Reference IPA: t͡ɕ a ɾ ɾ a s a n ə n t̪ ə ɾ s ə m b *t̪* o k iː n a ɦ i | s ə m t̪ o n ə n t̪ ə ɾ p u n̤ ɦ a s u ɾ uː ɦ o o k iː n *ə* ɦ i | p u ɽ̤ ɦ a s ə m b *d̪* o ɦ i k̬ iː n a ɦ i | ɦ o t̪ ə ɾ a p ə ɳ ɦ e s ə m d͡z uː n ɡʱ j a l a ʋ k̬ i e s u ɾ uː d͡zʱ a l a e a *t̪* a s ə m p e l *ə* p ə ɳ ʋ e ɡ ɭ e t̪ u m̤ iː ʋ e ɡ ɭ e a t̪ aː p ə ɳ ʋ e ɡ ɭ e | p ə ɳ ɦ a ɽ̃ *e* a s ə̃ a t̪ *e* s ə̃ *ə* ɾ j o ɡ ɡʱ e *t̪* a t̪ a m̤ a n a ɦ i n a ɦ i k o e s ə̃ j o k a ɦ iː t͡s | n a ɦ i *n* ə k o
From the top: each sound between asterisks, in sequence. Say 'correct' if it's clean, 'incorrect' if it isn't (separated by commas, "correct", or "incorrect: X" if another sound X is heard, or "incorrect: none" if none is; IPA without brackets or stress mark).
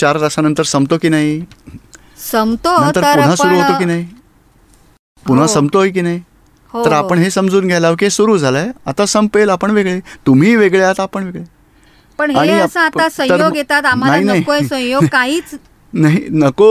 correct, incorrect: a, incorrect: t̪, correct, incorrect: a, incorrect: i, incorrect: a, correct, correct, correct